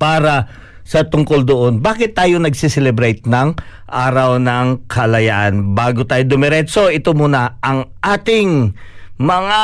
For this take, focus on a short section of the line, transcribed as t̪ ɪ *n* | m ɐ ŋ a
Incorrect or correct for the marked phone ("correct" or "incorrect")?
incorrect